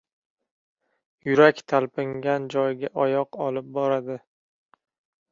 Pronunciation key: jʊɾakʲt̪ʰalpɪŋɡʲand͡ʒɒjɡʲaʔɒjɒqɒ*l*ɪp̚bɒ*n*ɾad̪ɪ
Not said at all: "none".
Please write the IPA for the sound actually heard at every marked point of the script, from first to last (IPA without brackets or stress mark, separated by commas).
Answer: l, none